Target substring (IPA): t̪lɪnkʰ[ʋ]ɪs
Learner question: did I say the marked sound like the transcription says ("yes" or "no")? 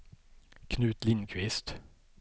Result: yes